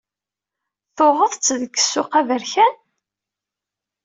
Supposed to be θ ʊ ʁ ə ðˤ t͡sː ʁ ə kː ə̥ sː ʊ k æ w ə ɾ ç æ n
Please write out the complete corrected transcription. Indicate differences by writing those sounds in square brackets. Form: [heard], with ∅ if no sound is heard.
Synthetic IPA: θ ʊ ʁ ə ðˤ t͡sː [ð] ə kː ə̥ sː ʊ [q] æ [v] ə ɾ ç æ n